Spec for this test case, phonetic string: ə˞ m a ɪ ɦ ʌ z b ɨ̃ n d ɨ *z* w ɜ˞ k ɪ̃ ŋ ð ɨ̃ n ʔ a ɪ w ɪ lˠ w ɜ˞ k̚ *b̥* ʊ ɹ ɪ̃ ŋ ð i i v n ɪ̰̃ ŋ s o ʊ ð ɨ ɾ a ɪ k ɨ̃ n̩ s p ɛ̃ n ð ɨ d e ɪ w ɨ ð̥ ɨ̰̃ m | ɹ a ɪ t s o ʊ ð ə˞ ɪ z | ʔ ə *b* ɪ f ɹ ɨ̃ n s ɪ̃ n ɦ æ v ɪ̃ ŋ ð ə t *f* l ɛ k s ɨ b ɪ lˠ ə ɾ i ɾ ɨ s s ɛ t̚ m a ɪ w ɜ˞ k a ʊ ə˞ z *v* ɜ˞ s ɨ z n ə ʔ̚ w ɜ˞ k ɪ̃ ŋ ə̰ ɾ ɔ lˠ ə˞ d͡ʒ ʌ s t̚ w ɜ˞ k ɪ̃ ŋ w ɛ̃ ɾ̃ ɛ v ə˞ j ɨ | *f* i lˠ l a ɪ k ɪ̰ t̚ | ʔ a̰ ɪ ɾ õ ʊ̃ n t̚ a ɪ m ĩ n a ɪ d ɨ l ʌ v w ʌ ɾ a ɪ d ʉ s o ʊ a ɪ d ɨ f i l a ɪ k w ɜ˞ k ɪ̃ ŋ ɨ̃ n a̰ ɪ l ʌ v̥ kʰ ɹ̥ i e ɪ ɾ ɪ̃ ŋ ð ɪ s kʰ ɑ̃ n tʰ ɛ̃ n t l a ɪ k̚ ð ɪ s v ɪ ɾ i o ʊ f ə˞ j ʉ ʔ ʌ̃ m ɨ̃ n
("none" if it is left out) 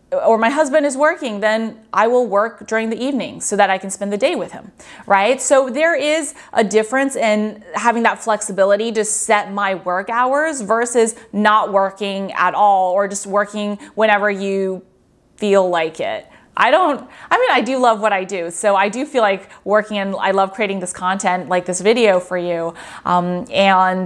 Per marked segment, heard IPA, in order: z, d̥, d, f, v, f

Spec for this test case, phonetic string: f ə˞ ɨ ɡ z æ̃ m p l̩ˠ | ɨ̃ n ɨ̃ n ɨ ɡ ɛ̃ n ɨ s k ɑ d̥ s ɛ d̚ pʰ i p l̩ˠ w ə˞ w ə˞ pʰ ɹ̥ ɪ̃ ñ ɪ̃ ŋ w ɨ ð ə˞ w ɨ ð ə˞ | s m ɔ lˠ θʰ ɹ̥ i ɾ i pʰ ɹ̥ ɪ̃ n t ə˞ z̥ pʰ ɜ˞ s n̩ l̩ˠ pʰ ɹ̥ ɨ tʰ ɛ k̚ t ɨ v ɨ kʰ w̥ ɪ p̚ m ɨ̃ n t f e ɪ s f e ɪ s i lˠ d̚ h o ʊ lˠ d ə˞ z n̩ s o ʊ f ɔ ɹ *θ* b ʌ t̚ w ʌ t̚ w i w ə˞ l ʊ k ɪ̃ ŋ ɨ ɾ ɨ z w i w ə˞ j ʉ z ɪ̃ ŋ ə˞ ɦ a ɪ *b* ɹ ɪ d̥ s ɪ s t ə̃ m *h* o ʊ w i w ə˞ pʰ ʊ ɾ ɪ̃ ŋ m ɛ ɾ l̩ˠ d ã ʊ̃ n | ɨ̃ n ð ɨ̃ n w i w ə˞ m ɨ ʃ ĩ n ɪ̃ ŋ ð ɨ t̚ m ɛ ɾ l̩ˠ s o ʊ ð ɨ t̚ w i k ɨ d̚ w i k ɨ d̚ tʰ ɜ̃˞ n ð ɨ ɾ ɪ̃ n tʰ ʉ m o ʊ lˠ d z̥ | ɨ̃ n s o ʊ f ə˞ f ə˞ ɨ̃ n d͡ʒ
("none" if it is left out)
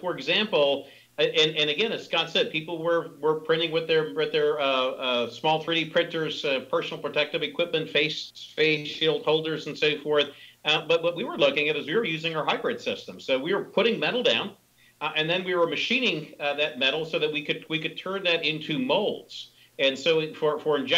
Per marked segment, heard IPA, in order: θ, b, s

